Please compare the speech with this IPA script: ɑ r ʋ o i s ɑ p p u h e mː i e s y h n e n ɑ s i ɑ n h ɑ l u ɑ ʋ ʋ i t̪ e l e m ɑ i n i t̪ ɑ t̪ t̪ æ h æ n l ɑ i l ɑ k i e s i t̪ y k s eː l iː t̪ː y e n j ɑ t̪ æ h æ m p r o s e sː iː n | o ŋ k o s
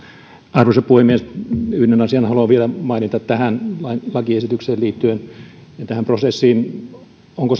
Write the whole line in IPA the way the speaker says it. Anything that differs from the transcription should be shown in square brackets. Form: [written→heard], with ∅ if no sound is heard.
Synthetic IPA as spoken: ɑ r ʋ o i s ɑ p p u h e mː i e s y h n e n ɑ s i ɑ n h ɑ l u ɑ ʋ ʋ i [t̪→∅] e l [e→æ] m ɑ i n i t̪ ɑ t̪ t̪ æ h æ n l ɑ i l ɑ k i e s i t̪ y k s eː l iː t̪ː y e n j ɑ t̪ æ h æ m p r o s e sː iː n | o ŋ k o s